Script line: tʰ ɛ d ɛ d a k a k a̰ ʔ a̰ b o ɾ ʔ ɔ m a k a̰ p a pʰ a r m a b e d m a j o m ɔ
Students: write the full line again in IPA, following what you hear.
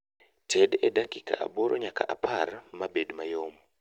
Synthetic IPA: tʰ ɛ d ɛ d a k i k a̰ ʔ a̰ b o ɾ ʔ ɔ ɲ a k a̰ ʔ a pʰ a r m a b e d m a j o m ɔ

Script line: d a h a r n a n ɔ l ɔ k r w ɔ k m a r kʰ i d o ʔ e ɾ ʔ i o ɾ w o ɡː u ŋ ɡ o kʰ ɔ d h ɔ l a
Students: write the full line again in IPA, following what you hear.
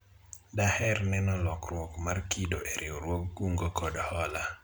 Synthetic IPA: d a h ɛ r n ɛ n ɔ l ɔ k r w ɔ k m a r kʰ i d o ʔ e ɾ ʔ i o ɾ w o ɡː u ŋ ɡ o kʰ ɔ d h ɔ l a

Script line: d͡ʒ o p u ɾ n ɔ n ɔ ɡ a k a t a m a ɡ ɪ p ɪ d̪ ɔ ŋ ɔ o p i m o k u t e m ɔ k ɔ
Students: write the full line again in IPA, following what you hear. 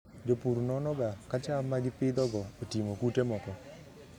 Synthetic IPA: d͡ʒ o p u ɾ n ɔ n ɔ ɡ a k a t͡ʃ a m a ɡ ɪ p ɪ d̪ ɔ ɡ ɔ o t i m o k u t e m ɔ k ɔ

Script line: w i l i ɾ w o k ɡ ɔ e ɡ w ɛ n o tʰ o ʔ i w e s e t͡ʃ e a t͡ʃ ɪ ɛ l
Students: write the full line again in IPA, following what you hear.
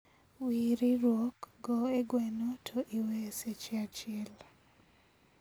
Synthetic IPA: w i ɾ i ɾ w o k ɡ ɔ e ɡ w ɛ n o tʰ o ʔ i w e s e t͡ʃ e a t͡ʃ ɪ ɛ l

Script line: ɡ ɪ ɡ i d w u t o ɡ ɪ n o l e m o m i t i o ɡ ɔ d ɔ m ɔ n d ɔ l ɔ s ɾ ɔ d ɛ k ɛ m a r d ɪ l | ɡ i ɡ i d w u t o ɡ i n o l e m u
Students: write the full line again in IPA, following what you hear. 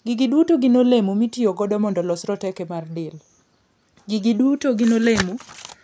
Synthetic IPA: ɡ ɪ ɡ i d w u t o ɡ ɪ n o l e m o m i t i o ɡ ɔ d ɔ m ɔ n d ɔ l ɔ s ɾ ɔ t ɛ k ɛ m a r d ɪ l | ɡ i ɡ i d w u t o ɡ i n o l e m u

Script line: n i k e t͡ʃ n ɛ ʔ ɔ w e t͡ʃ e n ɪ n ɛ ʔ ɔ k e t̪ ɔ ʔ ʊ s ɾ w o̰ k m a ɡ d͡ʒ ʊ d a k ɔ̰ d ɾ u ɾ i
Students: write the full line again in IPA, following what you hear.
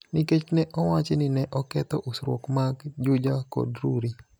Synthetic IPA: n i k e t͡ʃ n ɛ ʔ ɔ w a t͡ʃ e n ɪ n ɛ ʔ ɔ k ɛ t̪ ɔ ʔ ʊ s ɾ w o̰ k m a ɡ d͡ʒ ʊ d͡ʒ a k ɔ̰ d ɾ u ɾ i

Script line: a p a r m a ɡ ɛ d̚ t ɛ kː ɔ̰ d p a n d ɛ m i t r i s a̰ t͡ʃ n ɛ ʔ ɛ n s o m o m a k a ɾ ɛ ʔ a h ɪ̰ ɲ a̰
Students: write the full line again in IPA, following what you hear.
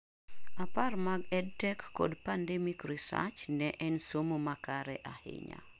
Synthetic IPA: a p a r m a ɡ ɛ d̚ t ɛ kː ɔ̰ d p a n d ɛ m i k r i s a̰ t͡ʃ n ɛ ʔ ɛ n s o m o m a k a ɾ ɛ ʔ a h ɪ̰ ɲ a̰

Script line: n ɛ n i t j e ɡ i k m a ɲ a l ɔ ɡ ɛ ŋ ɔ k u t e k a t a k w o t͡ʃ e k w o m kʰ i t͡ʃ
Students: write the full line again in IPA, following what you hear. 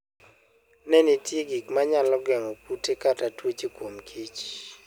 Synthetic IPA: n ɛ n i t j e ɡ i k m a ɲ a l ɔ ɡ ɛ ŋ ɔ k u t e k a t a t w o t͡ʃ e k w o m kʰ i t͡ʃ

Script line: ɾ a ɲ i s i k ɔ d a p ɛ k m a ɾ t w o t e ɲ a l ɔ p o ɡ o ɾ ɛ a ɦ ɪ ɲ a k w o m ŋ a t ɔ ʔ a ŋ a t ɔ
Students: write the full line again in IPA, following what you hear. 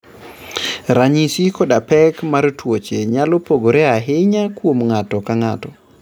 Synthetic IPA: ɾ a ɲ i s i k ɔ d a p ɛ k m a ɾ t w o t͡ʃ e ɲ a l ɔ p o ɡ o ɾ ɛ a ɦ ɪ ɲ a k w o m ŋ a t ɔ k a ŋ a t ɔ

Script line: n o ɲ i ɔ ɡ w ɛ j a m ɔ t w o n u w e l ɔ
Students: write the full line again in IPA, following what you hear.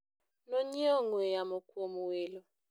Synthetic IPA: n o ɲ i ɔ ŋ w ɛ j a m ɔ k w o m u w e l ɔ

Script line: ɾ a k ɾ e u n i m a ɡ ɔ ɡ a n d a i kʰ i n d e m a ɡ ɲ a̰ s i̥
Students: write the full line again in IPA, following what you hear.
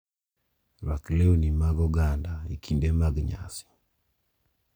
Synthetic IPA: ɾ a k l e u n i m a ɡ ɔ ɡ a n d a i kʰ i n d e m a ɡ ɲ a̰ s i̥

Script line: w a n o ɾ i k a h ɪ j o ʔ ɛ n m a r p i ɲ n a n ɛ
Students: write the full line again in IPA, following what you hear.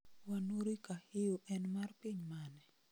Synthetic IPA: w a n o ɾ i k a h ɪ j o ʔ ɛ n m a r p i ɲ m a n ɛ

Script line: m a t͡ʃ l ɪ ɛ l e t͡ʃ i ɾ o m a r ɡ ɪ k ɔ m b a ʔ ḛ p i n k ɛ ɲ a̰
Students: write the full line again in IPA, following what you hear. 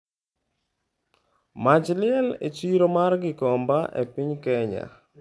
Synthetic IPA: m a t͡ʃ l ɪ ɛ l e t͡ʃ i ɾ o m a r ɡ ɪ k ɔ m b a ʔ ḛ p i ɲ k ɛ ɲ a̰

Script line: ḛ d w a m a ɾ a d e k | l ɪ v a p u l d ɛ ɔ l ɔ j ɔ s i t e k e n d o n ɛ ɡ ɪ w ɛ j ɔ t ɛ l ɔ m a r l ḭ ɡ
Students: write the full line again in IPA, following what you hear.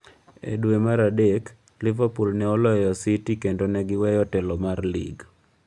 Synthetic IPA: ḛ d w e m a ɾ a d e k | l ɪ v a p u l n ɛ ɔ l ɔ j ɔ s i t i k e n d o n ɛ ɡ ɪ w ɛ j ɔ t ɛ l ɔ m a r l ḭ ɡ

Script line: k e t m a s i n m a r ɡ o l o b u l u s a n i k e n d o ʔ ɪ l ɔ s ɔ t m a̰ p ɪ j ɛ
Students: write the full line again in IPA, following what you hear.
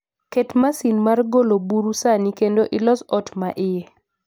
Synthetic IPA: k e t m a s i n m a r ɡ o l o b u ɾ u s a n i k e n d o ʔ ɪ l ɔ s ɔ t m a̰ ʔ ɪ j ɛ

